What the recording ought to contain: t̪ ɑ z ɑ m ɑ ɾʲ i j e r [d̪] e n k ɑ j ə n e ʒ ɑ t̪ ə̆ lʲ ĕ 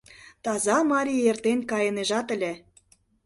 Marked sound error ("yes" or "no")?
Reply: yes